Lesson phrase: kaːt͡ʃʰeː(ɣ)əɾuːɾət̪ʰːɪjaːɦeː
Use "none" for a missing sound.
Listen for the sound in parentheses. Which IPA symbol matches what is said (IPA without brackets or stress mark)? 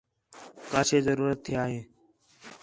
z